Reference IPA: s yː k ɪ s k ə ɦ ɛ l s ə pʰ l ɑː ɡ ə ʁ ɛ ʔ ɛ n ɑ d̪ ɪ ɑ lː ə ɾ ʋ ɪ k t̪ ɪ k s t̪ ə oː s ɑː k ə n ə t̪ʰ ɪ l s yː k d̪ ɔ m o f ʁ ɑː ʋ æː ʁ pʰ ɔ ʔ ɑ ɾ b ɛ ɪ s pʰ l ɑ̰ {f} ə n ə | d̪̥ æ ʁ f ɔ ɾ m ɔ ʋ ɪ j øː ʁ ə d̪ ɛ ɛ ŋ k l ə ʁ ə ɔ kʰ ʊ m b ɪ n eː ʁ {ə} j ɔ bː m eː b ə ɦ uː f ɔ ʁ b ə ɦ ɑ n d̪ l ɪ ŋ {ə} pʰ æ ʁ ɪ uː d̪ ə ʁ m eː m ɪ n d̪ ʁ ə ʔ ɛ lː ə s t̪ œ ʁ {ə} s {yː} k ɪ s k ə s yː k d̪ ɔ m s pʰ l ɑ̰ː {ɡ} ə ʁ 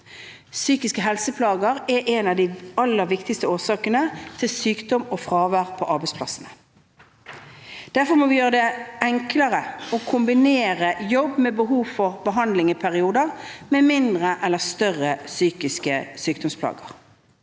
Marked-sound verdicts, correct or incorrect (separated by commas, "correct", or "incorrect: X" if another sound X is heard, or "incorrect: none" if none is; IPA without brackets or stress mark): incorrect: s, correct, correct, correct, correct, correct